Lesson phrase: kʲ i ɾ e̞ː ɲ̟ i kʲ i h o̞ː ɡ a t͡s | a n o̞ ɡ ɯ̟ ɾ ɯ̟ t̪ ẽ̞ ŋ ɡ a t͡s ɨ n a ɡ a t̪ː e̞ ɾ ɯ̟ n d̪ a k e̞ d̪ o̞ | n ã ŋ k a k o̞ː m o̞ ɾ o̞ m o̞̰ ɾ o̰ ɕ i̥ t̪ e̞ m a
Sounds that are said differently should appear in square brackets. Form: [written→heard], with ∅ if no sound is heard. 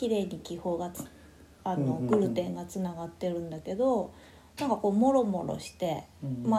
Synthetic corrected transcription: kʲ i ɾ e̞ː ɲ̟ i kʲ i h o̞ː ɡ a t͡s | a n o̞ ɡ ɯ̟ ɾ ɯ̟ t̪ ẽ̞ ŋ ɡ a t͡s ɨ n a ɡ a t̪ː e̞ ɾ [ɯ̟→ɯ̟̃] n d̪ a k e̞ d̪ o̞ | n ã ŋ k a k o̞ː m o̞ ɾ o̞ m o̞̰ ɾ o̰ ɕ i̥ t̪ e̞ m a